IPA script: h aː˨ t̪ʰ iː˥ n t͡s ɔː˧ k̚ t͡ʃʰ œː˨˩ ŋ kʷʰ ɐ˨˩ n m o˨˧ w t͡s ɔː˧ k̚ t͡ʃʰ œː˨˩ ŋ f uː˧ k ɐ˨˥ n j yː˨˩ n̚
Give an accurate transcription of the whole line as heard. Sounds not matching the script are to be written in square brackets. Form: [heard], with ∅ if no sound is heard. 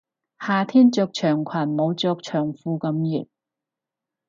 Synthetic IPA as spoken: h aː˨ t̪ʰ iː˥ n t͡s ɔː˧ k̚ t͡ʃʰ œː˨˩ ŋ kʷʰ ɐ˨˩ n m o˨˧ w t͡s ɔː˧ k̚ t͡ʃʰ œː˨˩ ŋ f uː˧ k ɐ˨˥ [m] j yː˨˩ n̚